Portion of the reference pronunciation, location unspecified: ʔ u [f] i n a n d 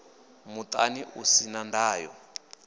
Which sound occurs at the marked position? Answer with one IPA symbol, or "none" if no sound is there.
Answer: s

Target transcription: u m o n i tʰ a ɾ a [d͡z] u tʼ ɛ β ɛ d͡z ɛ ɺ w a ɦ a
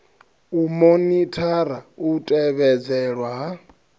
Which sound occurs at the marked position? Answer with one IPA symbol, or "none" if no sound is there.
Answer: none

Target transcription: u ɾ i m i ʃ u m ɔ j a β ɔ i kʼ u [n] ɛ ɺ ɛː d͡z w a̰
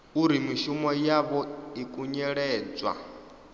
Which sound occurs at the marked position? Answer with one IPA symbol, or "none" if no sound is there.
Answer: ɲ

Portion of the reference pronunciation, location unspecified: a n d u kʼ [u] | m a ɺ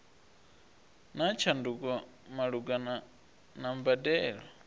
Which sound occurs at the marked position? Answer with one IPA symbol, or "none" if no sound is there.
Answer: ɔ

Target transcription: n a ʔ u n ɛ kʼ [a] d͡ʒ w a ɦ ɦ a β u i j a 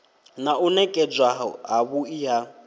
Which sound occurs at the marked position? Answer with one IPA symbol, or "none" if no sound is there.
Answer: ɛ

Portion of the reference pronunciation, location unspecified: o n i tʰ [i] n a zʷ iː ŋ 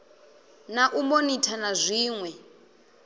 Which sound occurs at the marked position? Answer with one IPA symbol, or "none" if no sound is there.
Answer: a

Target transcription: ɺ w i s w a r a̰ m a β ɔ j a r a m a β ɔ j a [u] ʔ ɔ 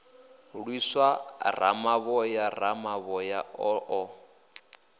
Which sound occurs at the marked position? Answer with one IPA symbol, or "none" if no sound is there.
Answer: ɔ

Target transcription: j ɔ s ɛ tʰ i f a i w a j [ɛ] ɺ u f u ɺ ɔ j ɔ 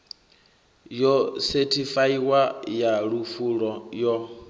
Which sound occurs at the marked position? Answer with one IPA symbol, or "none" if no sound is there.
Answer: a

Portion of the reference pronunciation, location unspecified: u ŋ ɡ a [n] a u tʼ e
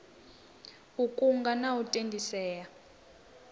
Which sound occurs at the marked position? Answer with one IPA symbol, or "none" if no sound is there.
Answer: n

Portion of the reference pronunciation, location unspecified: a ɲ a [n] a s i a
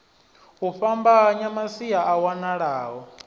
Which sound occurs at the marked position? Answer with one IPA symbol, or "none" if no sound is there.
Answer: m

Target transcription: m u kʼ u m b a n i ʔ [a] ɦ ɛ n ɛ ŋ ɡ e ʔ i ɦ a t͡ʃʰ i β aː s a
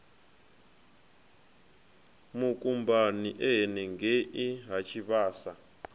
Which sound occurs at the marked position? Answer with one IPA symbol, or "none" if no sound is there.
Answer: ɛ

